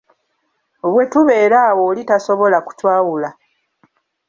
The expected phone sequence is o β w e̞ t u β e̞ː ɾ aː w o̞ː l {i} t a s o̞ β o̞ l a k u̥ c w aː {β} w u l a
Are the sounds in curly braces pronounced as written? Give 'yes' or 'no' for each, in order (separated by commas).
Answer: yes, no